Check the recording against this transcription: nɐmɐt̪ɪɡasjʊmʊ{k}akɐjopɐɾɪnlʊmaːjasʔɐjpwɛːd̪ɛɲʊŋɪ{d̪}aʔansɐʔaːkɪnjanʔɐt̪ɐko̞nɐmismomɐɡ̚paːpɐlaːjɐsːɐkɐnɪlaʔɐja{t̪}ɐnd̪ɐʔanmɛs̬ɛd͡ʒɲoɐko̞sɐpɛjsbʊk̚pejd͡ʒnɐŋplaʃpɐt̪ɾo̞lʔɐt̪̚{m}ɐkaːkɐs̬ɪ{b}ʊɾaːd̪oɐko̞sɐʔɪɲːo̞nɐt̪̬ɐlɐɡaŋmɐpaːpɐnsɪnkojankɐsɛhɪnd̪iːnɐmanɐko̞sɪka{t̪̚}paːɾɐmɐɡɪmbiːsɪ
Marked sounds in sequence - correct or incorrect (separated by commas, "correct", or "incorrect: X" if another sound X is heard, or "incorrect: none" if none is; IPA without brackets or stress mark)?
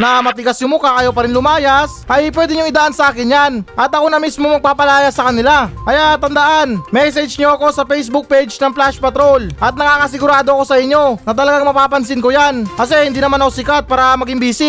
correct, correct, correct, incorrect: n, incorrect: ɡ, correct